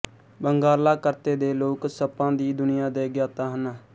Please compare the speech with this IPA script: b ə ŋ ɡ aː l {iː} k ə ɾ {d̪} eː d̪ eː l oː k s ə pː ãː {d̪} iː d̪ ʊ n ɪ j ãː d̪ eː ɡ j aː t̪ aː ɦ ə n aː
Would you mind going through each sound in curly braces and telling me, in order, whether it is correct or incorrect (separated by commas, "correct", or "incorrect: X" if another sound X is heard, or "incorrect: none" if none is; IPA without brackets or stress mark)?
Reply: incorrect: aː, incorrect: t̪, correct